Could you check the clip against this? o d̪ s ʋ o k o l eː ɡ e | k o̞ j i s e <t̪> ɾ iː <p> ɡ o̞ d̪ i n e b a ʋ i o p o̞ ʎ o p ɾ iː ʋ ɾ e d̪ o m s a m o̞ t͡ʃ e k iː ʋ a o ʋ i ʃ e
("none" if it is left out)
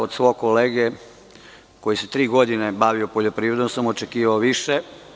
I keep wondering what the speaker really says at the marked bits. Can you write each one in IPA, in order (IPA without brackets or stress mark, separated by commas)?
t̪, none